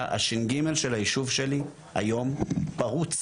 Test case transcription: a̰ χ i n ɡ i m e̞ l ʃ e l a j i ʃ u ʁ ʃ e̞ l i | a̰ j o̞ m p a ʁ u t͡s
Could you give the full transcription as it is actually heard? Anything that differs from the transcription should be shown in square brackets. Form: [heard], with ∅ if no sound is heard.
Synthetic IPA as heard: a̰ [ʃ] i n ɡ i m e̞ l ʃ e l a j i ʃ u [v] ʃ e̞ l i | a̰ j o̞ m p a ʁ u t͡s